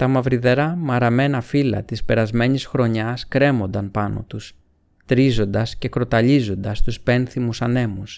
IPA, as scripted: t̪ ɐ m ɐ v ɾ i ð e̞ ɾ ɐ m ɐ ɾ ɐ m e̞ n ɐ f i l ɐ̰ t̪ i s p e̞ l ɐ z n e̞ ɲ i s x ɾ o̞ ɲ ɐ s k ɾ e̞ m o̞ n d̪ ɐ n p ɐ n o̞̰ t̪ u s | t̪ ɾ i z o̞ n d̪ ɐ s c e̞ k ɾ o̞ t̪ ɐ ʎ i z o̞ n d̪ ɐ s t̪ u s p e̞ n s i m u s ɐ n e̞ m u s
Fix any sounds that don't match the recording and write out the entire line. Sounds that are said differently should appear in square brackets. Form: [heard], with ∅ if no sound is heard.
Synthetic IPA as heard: t̪ ɐ m ɐ v ɾ i ð e̞ ɾ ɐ m ɐ ɾ ɐ m e̞ n ɐ f i l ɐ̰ t̪ i s p e̞ [ɾ] ɐ z [m] e̞ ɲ i s x ɾ o̞ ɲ ɐ s k ɾ e̞ m o̞ n d̪ ɐ n p ɐ n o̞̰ t̪ u s | t̪ ɾ i z o̞ n d̪ ɐ s c e̞ k ɾ o̞ t̪ ɐ ʎ i z o̞ n d̪ ɐ s t̪ u s p e̞ n [θ] i m u s ɐ n e̞ m u s